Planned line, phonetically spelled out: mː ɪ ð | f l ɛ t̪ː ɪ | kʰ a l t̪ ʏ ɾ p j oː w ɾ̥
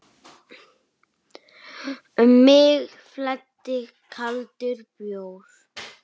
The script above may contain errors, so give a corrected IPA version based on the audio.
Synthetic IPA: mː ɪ ɣ | f l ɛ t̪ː ɪ | kʰ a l t̪ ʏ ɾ p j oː w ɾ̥

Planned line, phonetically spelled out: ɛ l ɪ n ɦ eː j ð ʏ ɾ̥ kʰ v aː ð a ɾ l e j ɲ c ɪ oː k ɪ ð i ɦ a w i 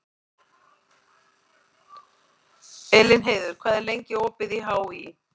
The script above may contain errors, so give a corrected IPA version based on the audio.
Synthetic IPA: ɛ l ɪ n ɦ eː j ð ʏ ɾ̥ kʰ v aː ð ɛ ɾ l e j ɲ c ɪ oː p ɪ ð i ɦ a w i

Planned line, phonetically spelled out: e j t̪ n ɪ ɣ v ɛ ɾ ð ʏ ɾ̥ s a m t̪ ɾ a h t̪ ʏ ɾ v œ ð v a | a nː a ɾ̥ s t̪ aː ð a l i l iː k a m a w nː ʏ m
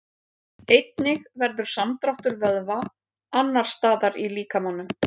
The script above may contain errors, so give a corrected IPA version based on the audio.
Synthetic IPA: e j t̪ n ɪ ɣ v ɛ ɾ ð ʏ ɾ̥ s a m t̪ ɾ a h t̪ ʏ ɾ v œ ð v a | a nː a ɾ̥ s t̪ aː ð a ɾ i l iː k a m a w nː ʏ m

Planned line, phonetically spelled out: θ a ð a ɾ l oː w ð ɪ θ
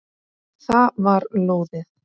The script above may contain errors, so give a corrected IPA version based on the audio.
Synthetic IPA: θ a v a ɾ l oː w ð ɪ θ

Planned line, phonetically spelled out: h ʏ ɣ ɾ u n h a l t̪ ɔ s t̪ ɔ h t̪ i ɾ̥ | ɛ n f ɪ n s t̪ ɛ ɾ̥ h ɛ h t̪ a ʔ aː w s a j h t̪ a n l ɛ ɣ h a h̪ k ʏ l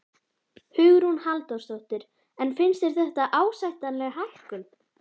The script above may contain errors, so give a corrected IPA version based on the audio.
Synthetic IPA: h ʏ ɣ ɾ u n h a l t̪ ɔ s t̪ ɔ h t̪ ɪ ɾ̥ | ɛ n f ɪ n s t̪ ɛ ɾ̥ θ ɛ h t̪ a ʔ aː w s a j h t̪ a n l ɛ ɣ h a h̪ k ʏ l

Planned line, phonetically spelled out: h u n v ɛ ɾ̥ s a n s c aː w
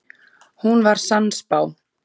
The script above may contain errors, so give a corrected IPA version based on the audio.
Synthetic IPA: h u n v a ɾ̥ s a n s p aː w

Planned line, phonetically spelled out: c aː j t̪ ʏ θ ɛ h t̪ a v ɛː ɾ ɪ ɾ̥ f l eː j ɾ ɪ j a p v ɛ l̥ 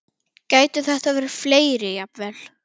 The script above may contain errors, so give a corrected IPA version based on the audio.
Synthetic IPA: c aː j t̪ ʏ θ ɛ h t̪ a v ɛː ɾ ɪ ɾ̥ f l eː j ɾ ɪ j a p v ɛ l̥

